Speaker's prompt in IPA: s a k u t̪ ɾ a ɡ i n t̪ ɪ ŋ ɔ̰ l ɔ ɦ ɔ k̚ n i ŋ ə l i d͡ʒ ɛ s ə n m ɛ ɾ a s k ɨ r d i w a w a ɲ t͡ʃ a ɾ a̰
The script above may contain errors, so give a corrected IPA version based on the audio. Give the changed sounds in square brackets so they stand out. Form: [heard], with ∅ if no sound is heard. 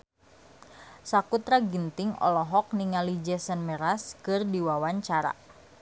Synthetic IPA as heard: s a k u t̪ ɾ a ɡ i n t̪ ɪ ŋ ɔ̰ l ɔ ɦ ɔ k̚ n i ŋ [a] l i d͡ʒ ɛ s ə n m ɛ ɾ a s k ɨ r d i w a w a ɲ t͡ʃ a ɾ a̰